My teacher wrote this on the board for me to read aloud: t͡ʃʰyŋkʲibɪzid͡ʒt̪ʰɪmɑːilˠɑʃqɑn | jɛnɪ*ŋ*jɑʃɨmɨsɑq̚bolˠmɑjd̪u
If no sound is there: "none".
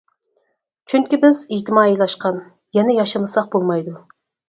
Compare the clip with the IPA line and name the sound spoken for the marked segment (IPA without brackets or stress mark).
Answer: none